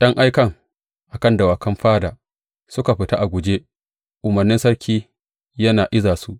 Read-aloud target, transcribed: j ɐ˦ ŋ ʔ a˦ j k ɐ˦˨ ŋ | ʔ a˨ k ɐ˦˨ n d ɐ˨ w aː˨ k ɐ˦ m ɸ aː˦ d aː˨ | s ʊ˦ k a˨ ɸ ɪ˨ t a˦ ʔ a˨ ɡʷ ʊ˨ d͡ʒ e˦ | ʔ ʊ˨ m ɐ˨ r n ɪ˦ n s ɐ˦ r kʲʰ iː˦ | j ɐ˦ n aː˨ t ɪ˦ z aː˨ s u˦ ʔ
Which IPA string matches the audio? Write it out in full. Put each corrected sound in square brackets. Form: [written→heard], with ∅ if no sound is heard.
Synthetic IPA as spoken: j ɐ˦ ŋ ʔ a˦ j k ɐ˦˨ ŋ | ʔ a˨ k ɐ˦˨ n d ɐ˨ w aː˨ k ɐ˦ m ɸ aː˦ d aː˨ | s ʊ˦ k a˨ ɸ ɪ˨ t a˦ ʔ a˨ ɡʷ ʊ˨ d͡ʒ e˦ | ʔ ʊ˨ m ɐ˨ r n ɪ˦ n s ɐ˦ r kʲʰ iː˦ | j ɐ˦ n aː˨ [t→ʔ] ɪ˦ z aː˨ s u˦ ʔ